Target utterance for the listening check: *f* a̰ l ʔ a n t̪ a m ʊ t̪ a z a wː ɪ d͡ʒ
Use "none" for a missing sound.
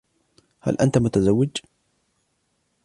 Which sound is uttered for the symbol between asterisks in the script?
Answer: h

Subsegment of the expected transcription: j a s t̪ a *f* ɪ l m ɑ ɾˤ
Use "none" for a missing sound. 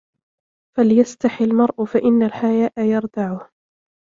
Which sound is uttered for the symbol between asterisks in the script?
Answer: ħ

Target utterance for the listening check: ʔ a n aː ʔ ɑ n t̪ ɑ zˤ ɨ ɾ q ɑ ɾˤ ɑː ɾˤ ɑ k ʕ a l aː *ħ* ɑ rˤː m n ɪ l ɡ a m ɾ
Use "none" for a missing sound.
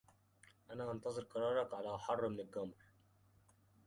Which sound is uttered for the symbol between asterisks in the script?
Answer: ħ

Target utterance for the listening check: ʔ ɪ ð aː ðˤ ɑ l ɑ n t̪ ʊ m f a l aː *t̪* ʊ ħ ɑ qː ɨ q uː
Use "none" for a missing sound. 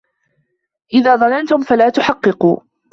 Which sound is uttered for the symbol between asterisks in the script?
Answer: t̪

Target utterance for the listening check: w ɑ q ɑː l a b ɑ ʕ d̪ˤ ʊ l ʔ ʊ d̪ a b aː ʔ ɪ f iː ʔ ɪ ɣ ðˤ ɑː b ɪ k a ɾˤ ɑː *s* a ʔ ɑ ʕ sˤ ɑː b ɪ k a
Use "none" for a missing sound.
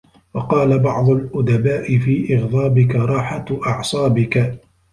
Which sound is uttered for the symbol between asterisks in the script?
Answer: ħ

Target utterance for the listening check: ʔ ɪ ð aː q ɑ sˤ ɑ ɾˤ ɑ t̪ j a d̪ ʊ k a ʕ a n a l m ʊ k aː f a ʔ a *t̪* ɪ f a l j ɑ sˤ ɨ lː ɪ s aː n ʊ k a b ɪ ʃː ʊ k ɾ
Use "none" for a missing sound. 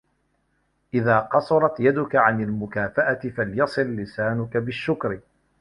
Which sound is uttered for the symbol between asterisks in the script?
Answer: t̪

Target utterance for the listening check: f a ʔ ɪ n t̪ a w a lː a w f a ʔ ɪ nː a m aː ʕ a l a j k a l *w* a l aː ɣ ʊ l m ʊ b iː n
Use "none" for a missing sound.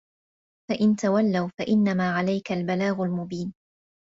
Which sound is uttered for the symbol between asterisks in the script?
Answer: b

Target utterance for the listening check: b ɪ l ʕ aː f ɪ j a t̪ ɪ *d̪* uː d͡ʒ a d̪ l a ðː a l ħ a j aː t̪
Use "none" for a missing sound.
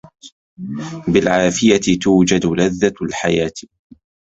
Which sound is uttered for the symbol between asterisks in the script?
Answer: t̪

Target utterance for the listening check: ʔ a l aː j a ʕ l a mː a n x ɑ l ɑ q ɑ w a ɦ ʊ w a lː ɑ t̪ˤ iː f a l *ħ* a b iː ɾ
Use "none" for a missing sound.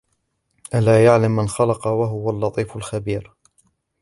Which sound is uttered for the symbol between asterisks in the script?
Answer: x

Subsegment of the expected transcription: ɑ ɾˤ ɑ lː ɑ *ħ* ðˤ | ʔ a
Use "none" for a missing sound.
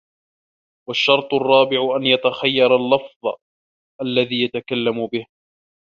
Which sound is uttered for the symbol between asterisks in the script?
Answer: f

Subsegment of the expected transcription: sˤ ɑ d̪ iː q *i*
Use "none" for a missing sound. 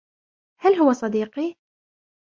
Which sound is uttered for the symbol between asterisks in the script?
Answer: i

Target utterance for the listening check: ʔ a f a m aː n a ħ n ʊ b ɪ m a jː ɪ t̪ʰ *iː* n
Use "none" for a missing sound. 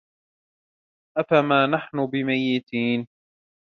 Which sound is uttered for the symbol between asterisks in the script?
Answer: iː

